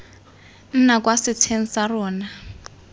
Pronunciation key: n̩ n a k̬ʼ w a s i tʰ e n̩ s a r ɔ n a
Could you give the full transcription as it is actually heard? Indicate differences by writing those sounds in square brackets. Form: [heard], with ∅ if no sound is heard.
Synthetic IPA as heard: n̩ n a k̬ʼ w a s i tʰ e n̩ s a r [ɔː] n a